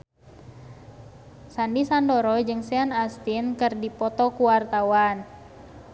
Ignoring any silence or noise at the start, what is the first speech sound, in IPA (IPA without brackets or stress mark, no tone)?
s